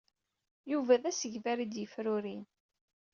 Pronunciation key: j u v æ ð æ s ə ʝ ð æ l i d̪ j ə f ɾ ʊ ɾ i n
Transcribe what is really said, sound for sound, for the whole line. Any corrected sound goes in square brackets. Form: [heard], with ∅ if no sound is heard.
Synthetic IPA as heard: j u v æ ð æ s ə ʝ [v] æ [ɾ] i d̪ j ə f ɾ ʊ ɾ i n